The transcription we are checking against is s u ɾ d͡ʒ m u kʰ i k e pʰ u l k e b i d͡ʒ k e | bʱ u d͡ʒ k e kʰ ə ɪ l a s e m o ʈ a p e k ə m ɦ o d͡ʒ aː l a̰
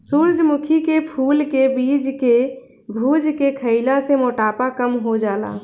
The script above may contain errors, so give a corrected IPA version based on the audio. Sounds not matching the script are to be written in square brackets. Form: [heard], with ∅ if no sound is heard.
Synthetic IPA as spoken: s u ɾ d͡ʒ m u kʰ i k e pʰ u l k e b i d͡ʒ k e | bʱ u d͡ʒ k e kʰ ə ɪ l a s e m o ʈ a p [a] k ə m ɦ o d͡ʒ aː l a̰